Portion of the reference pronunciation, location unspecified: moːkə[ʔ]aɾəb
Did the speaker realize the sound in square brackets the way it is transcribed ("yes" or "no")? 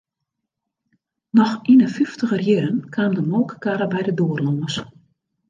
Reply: no